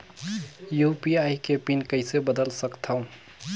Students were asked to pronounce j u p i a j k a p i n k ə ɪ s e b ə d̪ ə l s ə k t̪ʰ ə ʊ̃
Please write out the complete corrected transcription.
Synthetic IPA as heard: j u p i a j k e p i n k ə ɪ s e b ə d̪ ə l s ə k t̪ʰ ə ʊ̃

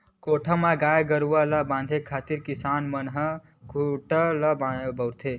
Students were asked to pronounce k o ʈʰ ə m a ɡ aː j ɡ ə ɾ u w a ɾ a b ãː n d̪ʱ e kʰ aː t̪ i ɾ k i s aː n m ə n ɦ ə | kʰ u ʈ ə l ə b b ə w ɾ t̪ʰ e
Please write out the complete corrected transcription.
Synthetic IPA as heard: k o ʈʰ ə m a ɡ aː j ɡ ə ɾ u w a l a b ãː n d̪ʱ e kʰ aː t̪ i ɾ k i s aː n m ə n ɦ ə | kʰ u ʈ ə l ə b b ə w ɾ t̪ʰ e

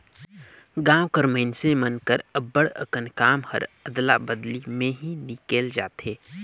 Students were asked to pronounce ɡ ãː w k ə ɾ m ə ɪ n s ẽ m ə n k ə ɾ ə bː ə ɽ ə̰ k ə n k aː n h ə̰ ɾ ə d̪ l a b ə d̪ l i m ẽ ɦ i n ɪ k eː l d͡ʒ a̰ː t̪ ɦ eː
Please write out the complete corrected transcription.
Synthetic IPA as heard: ɡ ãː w k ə ɾ m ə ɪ n s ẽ m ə n k ə ɾ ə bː ə ɽ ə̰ k ə n k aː m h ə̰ ɾ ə d̪ l a b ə d̪ l i m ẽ ɦ i n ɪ k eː l d͡ʒ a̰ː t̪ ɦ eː

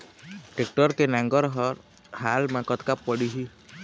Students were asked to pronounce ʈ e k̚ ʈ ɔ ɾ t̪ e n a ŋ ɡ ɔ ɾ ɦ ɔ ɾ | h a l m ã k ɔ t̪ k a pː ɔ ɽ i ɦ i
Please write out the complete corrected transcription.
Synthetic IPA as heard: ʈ e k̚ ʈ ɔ ɾ t̪ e n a ŋ ɡ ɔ ɾ ɦ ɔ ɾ | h a l m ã k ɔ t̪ k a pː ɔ ɽ i ɦ i

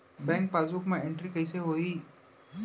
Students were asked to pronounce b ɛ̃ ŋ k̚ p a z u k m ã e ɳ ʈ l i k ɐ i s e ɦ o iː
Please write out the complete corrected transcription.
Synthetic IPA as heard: b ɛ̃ ŋ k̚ p a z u k m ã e ɳ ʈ ɾ i k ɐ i s e ɦ o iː

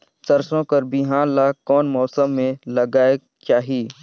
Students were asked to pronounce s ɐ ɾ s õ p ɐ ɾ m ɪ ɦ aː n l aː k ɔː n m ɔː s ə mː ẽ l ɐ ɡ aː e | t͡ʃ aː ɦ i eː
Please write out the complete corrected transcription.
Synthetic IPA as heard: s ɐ ɾ s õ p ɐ ɾ b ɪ ɦ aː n l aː k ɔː n m ɔː s ə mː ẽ l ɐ ɡ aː e | t͡ʃ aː ɦ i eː

